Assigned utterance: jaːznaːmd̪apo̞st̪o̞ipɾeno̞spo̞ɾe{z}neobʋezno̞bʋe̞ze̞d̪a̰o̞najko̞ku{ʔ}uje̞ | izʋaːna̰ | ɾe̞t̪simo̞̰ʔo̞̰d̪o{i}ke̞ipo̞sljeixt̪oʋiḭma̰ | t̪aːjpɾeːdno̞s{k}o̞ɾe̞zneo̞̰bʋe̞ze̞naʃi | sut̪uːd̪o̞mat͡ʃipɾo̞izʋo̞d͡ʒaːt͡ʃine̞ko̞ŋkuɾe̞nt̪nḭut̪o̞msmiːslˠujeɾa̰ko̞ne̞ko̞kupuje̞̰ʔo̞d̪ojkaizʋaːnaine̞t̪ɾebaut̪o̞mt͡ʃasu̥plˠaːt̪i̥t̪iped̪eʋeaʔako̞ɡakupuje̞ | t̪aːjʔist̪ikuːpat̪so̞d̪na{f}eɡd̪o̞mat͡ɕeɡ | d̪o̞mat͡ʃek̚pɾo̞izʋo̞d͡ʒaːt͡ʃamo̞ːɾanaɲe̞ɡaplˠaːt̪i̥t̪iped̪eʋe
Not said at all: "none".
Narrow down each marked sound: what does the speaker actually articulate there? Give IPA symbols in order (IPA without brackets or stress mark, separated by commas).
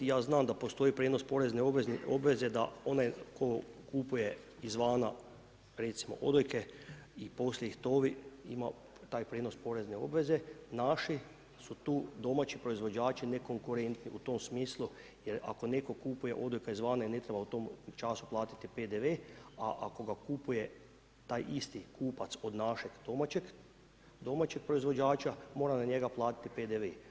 z, p, j, p, ʃ